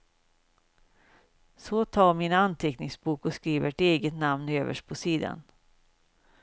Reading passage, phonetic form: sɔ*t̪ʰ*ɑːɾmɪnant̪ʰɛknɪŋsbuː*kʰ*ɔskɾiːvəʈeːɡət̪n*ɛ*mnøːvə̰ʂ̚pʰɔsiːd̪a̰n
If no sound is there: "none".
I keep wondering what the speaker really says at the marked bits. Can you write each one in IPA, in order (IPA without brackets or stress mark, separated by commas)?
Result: t̪ʰ, k, a